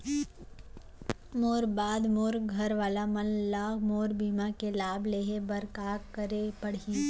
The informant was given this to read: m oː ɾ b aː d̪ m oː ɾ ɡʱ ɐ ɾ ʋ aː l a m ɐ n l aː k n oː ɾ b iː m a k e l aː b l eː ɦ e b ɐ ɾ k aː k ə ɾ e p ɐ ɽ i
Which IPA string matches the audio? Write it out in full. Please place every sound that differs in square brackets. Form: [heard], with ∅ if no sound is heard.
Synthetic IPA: m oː ɾ b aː d̪ m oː ɾ ɡʱ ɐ ɾ ʋ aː l a m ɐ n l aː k [m] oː ɾ b iː m a k e l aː b l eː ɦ e b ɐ ɾ k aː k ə ɾ e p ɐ ɽ i